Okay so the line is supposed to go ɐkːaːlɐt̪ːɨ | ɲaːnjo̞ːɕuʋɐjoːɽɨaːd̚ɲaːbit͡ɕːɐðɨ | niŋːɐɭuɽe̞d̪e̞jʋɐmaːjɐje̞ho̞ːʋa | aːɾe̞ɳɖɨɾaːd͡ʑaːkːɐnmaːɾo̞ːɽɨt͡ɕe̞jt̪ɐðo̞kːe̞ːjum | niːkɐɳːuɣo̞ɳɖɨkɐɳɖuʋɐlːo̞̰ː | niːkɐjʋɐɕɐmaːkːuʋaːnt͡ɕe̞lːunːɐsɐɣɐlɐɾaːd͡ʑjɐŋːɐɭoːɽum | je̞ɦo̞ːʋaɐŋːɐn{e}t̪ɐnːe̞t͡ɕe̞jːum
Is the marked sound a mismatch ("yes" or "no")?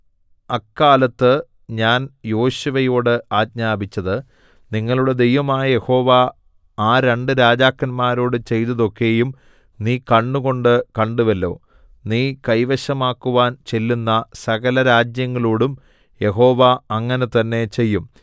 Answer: no